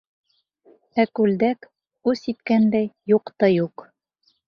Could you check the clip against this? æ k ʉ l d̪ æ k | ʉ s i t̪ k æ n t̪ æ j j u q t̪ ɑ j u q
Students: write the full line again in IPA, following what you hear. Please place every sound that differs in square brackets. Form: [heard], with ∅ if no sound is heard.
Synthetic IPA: æ k ʉ l d̪ æ k | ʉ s i t̪ k æ n [d̪] æ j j u q t̪ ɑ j u q